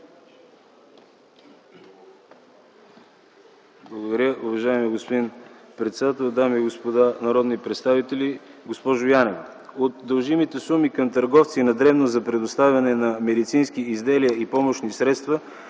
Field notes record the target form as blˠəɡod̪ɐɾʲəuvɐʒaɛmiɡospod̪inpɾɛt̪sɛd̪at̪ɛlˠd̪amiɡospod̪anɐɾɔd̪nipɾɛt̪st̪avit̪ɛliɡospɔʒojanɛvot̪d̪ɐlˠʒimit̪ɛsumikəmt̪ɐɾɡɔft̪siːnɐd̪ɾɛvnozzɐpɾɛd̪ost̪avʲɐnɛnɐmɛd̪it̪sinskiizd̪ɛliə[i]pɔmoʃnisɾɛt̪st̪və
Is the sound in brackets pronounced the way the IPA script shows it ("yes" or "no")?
yes